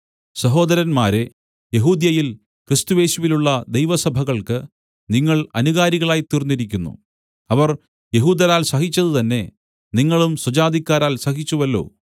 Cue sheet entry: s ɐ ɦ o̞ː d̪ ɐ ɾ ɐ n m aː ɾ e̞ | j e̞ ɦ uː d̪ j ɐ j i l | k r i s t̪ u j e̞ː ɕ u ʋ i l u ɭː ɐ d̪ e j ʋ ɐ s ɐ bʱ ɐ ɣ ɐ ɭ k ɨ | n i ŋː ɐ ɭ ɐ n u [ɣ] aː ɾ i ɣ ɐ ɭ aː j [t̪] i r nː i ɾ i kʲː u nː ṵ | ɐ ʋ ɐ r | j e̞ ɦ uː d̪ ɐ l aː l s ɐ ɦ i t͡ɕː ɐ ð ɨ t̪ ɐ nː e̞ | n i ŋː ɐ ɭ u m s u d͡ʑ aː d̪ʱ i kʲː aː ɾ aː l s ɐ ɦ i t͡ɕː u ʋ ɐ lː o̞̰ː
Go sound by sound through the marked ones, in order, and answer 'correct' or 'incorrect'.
correct, correct

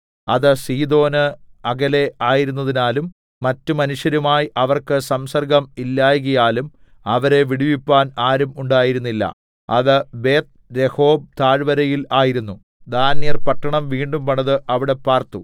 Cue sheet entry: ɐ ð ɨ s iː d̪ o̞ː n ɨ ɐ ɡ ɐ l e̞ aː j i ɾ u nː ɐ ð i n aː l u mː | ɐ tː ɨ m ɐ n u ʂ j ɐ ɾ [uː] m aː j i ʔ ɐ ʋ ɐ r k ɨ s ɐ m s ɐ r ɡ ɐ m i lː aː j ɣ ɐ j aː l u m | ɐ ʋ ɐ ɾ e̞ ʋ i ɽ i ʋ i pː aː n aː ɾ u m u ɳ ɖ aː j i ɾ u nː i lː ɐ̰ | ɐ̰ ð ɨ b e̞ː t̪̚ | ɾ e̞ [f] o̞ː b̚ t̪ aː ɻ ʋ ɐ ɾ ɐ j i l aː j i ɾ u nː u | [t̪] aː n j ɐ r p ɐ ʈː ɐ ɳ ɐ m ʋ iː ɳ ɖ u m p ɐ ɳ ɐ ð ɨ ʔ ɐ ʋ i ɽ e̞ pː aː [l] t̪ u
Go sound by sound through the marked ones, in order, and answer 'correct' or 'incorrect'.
incorrect: u, incorrect: h, incorrect: d̪, incorrect: r

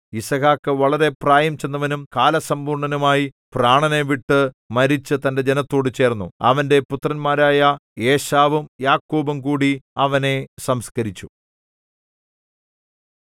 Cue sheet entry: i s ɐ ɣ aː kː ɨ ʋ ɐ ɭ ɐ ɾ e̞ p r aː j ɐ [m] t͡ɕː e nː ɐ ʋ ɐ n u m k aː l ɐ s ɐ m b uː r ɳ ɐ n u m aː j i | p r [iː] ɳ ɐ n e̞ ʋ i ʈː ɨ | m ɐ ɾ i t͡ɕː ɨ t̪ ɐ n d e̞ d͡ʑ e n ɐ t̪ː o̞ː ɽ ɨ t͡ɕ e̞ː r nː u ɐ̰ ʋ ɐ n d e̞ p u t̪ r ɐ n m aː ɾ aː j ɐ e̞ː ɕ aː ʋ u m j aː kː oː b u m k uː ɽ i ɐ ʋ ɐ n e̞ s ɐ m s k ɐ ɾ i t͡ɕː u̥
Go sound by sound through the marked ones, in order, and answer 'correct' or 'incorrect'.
correct, incorrect: aː

